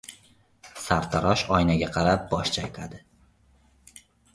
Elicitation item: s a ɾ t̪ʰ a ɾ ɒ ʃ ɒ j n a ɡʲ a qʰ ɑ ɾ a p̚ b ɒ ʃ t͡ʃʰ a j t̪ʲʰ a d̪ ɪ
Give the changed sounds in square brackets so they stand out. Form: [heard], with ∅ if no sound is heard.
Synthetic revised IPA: s a ɾ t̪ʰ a ɾ ɒ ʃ ɒ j n a ɡʲ a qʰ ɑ ɾ a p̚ b ɒ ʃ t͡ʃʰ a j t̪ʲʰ a d̪ ɪ